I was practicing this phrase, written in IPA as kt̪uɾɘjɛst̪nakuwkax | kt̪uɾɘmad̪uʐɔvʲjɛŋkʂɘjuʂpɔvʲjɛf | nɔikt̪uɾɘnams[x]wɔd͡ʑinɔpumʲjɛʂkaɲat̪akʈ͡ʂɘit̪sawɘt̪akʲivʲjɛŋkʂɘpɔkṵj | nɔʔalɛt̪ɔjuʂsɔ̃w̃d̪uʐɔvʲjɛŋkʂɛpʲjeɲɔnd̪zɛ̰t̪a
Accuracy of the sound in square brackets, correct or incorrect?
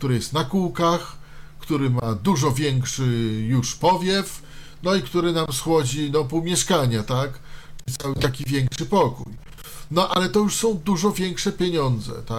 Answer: correct